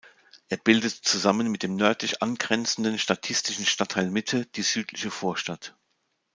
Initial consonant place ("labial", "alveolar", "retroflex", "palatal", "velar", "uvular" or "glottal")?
glottal